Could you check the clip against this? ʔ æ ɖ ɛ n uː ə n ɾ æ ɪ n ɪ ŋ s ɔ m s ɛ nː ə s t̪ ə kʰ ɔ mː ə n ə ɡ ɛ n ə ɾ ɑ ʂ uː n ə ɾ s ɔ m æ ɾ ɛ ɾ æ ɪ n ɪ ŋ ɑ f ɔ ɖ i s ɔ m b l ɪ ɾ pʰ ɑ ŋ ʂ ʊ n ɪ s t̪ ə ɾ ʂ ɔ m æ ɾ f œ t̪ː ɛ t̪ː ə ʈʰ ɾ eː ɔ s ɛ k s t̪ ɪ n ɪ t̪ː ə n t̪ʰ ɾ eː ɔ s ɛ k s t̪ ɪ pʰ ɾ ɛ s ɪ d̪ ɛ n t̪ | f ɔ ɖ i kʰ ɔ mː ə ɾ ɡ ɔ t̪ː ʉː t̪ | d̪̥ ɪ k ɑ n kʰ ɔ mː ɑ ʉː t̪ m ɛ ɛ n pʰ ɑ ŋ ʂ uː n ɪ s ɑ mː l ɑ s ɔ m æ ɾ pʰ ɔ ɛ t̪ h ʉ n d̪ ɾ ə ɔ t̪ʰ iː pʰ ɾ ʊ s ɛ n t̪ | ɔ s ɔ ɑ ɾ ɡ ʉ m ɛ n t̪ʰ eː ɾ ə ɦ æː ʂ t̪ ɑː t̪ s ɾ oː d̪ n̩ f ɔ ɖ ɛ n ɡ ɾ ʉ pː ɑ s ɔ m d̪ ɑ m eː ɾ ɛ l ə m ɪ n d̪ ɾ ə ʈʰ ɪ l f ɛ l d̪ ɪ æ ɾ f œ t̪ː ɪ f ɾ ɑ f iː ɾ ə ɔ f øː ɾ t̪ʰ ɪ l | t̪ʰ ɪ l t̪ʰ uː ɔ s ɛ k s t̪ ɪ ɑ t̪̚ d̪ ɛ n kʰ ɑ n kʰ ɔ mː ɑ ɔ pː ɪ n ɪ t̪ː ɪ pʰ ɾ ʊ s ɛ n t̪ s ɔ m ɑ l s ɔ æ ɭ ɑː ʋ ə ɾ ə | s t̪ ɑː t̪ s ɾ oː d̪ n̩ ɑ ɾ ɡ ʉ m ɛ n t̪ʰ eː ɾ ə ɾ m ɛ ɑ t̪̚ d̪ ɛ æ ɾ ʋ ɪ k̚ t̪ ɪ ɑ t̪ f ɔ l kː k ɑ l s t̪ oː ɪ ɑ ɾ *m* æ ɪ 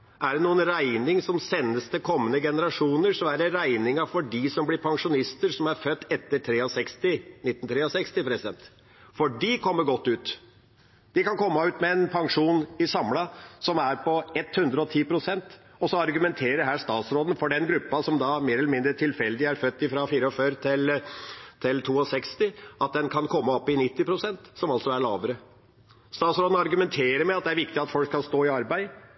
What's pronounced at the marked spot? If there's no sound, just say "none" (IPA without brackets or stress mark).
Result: b